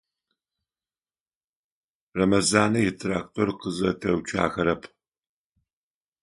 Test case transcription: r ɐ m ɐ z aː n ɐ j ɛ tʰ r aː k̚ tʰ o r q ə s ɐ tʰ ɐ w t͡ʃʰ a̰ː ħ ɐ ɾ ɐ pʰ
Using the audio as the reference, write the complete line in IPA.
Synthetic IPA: r ɐ m ɐ z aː n ɐ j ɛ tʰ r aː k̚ tʰ o r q ə z ɐ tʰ ɐ w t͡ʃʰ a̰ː x ɐ ɾ ɐ pʰ